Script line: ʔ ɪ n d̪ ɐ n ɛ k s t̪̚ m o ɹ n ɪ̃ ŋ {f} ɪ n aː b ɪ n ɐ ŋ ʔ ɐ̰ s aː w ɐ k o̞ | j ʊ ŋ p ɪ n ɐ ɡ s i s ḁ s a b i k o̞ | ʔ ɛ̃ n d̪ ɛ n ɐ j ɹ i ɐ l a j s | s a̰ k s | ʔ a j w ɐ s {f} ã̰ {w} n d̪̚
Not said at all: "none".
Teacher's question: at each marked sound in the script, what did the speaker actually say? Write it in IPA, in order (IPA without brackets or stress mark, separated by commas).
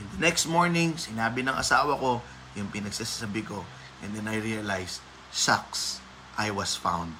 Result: s, f, w